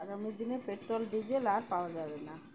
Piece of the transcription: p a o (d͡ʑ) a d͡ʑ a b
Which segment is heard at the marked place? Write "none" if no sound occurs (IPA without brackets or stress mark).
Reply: none